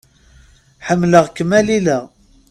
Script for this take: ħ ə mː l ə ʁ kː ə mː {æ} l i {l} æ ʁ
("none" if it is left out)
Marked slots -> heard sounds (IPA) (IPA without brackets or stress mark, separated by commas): æ, l